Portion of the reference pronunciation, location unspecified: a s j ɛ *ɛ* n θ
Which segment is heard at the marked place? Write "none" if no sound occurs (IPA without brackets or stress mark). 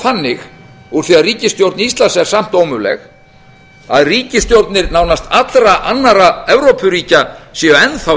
ɛ